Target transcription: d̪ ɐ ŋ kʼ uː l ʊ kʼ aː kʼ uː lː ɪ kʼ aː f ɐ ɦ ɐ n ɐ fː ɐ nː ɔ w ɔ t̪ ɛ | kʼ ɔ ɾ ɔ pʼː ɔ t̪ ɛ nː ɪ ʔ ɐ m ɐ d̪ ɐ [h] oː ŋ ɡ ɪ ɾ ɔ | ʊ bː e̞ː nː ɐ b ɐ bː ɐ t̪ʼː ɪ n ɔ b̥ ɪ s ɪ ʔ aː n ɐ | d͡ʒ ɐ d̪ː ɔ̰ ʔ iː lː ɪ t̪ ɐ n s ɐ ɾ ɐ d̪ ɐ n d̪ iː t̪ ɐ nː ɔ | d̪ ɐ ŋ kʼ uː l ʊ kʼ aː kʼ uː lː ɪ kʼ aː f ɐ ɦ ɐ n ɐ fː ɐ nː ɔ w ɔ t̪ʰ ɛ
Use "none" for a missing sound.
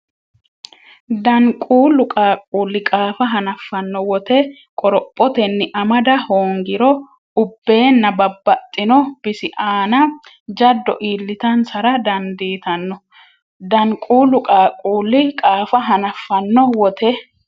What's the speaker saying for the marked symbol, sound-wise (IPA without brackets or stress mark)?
h